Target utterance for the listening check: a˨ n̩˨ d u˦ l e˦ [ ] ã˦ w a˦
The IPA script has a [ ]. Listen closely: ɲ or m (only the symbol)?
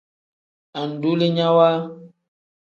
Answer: ɲ